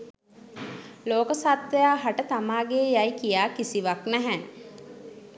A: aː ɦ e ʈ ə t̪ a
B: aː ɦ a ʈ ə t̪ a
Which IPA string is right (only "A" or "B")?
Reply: B